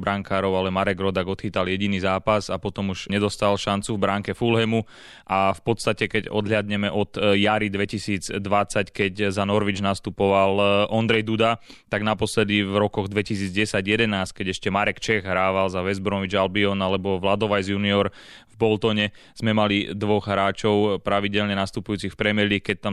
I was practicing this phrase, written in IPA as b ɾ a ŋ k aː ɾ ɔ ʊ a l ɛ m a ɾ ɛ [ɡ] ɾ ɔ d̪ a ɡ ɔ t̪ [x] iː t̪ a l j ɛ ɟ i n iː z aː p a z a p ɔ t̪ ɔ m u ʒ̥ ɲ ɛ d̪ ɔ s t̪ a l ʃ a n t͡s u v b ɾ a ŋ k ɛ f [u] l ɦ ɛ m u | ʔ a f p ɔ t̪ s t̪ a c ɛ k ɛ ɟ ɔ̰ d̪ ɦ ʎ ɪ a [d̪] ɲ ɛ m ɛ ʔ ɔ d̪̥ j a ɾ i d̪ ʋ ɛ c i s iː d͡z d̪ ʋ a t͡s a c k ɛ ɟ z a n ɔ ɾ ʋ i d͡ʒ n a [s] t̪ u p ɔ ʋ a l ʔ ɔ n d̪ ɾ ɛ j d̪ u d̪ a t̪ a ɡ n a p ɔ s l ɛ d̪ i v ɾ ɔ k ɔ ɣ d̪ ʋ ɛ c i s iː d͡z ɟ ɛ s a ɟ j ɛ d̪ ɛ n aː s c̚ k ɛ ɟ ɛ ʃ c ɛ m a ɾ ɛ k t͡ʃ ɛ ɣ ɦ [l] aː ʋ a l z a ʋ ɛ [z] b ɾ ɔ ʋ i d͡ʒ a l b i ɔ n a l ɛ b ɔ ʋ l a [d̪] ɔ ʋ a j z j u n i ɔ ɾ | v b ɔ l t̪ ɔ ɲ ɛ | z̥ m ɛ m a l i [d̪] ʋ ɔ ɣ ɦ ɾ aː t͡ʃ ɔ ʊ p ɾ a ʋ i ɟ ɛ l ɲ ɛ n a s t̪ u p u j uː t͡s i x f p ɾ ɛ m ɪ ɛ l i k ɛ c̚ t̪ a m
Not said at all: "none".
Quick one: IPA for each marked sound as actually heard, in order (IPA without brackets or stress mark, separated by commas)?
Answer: ɡ, x, u, d̪, s, ɾ, z, d̪, d̪